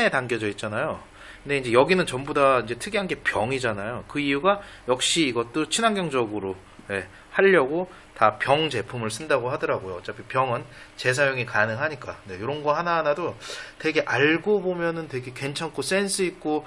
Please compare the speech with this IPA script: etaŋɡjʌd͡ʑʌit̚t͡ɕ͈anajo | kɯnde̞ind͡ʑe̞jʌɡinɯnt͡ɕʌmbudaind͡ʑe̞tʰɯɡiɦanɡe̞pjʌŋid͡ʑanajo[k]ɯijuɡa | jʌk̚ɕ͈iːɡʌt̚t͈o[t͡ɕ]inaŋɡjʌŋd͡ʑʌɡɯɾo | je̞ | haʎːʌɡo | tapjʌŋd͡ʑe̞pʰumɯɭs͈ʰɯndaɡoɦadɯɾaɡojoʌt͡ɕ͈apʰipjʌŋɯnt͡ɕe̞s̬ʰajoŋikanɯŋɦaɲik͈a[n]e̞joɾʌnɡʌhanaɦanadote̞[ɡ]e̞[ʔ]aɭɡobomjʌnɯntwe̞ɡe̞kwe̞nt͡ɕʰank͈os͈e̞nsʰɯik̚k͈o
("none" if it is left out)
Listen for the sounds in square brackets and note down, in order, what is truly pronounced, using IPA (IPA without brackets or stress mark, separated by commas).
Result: k, t͡ɕʰ, n, ɡ, ʔ